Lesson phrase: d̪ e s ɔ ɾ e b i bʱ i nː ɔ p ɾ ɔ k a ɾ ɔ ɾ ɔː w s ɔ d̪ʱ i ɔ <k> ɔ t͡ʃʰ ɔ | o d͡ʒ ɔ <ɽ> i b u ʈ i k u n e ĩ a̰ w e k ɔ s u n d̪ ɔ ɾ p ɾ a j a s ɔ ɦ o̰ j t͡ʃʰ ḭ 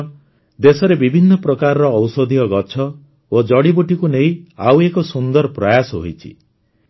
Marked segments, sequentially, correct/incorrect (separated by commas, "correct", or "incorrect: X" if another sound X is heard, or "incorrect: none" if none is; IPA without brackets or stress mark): incorrect: ɡ, correct